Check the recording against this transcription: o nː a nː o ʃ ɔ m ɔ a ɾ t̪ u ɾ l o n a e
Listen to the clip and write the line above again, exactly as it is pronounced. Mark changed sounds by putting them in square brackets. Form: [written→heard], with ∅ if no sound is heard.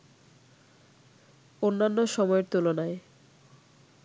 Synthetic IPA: o nː a nː o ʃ ɔ m ɔ [a→e] ɾ t̪ u [ɾ→∅] l o n a e